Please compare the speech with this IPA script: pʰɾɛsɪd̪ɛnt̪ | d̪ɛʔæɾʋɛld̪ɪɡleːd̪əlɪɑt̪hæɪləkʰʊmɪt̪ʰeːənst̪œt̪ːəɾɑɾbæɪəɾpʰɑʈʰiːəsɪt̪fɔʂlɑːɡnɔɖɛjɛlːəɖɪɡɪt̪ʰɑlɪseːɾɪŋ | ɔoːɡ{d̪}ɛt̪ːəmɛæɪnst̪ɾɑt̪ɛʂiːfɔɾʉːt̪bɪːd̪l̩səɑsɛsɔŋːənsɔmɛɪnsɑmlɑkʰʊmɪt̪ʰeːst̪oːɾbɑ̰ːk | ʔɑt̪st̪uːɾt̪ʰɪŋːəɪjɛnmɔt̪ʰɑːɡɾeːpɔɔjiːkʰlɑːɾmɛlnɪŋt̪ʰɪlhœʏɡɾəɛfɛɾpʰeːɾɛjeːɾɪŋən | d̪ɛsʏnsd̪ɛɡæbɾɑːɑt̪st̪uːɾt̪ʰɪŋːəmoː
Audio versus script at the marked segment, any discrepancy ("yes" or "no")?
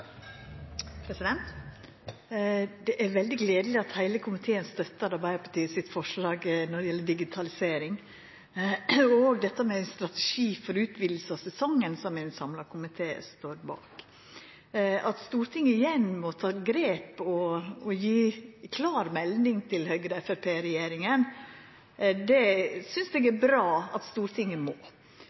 no